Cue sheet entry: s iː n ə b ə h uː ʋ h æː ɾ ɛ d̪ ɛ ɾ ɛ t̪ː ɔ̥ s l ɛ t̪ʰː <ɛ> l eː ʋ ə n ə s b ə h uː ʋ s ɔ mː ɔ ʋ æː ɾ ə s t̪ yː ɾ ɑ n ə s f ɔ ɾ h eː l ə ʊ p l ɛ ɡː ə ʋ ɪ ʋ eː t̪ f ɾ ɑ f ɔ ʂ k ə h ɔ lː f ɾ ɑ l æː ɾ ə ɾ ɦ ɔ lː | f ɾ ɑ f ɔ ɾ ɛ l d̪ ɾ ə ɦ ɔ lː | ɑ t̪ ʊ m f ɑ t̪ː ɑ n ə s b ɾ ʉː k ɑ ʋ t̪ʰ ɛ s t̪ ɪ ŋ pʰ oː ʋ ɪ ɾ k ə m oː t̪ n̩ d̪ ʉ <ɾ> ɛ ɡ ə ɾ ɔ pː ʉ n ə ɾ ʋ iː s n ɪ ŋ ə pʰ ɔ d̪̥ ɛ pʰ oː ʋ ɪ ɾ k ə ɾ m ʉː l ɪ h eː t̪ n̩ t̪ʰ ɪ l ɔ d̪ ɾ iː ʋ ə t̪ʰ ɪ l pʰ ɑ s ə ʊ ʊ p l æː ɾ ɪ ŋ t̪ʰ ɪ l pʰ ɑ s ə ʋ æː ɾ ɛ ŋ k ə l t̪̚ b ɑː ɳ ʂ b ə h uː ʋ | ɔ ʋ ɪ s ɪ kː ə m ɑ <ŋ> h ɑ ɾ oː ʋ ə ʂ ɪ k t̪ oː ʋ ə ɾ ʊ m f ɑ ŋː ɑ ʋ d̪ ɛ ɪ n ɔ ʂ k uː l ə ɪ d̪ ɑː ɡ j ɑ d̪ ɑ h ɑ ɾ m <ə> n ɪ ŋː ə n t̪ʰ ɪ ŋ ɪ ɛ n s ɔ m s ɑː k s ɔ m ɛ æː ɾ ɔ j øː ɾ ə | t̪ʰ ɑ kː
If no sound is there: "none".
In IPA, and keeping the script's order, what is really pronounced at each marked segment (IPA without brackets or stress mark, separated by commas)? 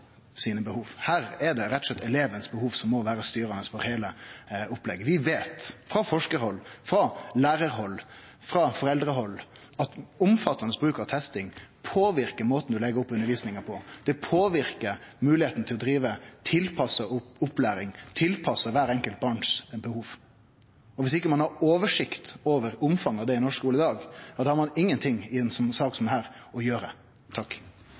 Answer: ɛ, l, n, ɑ